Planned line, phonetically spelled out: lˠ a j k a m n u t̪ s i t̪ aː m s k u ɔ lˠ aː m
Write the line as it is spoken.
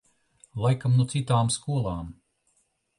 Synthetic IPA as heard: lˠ a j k a m n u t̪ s i t̪ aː m s k u ɔ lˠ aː m